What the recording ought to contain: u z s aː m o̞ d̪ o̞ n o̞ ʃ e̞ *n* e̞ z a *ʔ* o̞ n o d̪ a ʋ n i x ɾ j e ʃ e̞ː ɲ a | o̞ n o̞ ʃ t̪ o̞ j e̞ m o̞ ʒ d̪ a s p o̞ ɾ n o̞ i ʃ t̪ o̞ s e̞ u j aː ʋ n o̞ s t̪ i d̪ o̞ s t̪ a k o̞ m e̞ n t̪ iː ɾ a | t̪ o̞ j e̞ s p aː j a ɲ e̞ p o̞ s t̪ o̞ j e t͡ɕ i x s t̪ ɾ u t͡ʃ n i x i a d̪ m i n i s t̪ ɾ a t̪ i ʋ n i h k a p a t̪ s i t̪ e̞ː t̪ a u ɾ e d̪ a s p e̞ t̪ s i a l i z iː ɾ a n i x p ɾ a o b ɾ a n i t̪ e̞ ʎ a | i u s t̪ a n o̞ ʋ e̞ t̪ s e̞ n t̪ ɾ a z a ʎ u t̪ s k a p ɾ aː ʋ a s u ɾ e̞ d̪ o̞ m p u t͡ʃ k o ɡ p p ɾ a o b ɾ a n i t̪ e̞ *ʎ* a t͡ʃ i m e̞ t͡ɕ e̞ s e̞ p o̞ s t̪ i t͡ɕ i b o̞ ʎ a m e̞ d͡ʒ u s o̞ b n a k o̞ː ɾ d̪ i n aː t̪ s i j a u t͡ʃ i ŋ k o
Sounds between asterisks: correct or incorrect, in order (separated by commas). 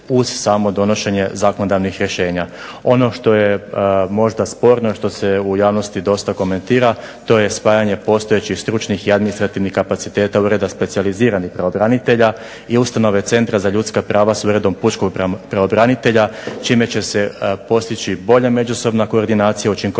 incorrect, incorrect, correct